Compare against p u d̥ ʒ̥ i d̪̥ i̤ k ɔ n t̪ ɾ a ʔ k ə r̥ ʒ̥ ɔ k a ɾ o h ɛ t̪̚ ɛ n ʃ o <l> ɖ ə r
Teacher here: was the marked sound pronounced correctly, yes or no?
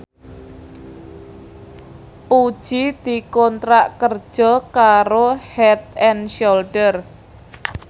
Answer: yes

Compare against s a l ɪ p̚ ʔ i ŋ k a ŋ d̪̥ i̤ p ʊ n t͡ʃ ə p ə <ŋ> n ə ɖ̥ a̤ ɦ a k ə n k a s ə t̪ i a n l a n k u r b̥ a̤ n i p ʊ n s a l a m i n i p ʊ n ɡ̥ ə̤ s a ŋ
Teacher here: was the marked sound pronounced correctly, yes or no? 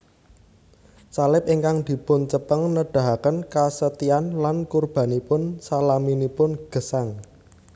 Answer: yes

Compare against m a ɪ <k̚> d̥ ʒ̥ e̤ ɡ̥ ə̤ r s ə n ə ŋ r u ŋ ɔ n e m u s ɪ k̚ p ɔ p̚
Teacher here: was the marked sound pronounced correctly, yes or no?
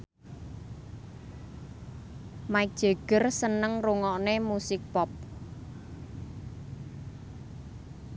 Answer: yes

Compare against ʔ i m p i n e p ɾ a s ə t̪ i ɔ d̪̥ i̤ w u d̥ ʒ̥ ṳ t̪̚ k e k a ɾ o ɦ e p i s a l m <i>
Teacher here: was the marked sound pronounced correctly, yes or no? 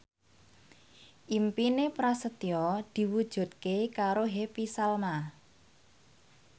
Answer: no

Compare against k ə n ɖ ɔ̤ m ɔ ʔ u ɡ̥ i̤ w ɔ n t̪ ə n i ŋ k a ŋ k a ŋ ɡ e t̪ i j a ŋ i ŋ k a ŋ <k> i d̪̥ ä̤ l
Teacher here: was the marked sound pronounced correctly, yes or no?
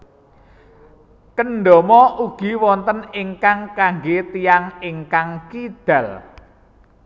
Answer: yes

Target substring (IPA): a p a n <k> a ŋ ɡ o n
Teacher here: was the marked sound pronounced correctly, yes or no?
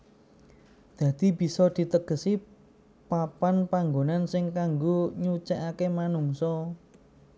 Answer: no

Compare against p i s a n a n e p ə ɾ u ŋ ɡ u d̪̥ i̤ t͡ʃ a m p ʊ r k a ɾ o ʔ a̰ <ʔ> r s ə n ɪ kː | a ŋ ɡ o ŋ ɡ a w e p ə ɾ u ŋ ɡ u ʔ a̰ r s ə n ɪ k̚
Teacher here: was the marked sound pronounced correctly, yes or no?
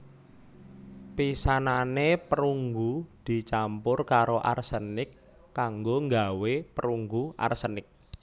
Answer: no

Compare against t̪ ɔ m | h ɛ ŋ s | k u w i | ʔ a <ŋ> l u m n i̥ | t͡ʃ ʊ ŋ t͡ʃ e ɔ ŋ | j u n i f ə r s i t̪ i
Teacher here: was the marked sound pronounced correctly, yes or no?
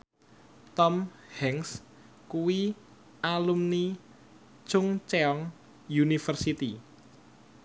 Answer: no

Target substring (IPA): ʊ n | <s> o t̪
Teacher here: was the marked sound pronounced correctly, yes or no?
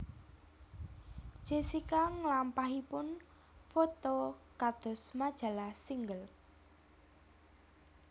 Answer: no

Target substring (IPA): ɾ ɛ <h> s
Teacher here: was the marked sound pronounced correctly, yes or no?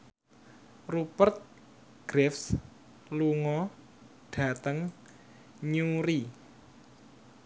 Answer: no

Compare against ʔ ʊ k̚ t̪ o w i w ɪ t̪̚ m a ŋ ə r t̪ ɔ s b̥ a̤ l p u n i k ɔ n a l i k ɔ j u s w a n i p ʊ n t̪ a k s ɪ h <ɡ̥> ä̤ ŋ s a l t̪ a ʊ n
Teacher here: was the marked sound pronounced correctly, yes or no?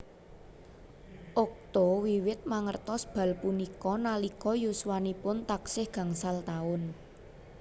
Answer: yes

